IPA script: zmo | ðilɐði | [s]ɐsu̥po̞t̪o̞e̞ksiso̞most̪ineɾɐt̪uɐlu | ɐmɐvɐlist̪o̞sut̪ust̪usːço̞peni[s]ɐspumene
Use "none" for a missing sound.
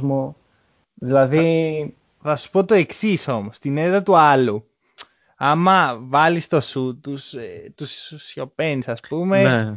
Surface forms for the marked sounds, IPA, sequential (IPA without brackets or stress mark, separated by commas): θ, s